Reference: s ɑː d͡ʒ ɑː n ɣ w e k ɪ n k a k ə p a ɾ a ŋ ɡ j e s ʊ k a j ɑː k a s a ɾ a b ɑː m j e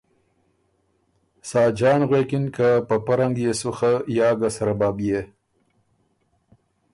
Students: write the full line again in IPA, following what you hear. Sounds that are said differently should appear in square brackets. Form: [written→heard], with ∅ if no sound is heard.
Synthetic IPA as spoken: s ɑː d͡ʒ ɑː n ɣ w e k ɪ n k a [k→p] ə p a ɾ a ŋ ɡ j e s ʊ [k→x] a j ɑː [k→ɡ] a s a ɾ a b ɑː [m→b] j e